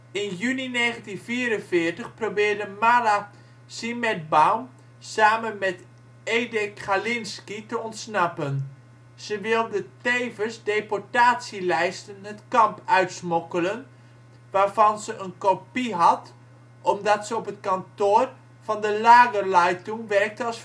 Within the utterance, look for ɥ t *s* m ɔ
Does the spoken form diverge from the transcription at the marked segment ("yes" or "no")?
no